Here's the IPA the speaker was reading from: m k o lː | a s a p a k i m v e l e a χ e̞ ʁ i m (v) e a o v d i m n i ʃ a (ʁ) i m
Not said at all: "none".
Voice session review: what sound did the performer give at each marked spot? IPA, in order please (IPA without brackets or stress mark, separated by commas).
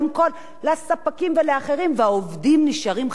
v, ʁ